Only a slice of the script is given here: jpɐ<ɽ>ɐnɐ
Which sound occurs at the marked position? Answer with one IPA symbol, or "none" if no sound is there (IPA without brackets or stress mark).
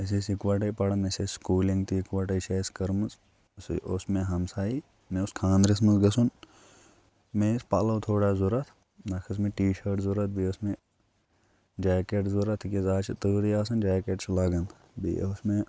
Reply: ɽ